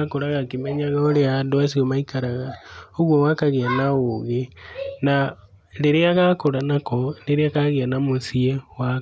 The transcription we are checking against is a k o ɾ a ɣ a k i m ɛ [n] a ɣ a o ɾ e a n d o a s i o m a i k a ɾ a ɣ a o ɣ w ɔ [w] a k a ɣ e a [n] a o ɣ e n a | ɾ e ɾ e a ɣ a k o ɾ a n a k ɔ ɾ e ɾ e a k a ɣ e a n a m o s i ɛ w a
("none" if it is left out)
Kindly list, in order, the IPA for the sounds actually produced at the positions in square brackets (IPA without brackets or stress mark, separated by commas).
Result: ɲ, w, n